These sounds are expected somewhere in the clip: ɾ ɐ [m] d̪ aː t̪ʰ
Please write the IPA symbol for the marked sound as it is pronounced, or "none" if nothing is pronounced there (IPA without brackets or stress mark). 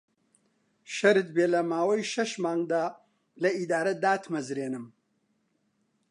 none